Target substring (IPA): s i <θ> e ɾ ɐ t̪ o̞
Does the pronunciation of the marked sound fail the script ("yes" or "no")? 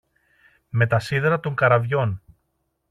yes